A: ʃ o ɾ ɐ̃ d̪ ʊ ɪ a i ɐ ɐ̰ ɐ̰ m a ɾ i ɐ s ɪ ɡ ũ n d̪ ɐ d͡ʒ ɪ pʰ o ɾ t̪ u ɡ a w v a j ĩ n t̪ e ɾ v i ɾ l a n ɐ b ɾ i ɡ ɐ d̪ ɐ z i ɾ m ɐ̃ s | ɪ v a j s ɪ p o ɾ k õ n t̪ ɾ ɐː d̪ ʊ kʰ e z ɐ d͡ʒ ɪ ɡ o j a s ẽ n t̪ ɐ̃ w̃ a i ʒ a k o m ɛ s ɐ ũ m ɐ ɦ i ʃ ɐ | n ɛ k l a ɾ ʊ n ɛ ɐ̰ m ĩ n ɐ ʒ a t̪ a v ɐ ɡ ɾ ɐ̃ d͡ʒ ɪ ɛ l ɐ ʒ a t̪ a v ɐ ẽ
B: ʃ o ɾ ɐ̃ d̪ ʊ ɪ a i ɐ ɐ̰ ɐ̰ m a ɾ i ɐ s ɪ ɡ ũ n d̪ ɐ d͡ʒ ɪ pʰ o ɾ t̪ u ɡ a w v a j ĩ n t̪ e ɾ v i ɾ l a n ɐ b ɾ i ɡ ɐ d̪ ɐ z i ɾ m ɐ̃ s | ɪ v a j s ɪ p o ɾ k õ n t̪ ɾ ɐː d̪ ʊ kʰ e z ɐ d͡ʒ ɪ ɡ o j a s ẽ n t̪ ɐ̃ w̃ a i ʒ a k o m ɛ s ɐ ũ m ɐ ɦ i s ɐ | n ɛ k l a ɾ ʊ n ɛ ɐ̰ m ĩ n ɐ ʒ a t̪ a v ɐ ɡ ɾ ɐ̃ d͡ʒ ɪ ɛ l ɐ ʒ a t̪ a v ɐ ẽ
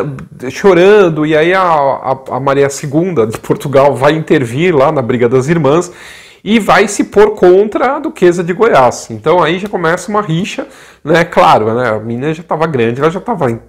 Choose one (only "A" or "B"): A